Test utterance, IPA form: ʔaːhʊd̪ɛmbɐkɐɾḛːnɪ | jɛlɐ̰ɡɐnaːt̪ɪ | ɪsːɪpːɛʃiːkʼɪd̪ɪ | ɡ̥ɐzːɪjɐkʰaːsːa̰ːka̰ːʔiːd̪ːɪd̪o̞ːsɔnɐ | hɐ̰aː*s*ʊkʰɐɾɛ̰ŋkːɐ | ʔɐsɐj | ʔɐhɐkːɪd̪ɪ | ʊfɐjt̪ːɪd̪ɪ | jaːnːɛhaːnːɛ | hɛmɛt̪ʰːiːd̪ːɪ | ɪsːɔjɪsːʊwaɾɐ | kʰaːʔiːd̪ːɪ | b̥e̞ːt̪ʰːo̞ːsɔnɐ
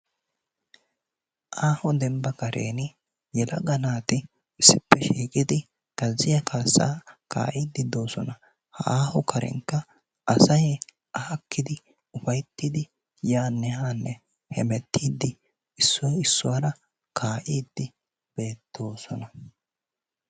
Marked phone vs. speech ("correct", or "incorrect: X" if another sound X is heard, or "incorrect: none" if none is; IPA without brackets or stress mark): incorrect: h